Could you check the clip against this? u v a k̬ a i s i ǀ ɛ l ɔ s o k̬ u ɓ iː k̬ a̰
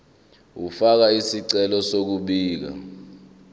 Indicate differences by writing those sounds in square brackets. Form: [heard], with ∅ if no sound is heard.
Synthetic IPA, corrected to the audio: u [f] a k̬ a i s i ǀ ɛ l ɔ s o k̬ u ɓ iː k̬ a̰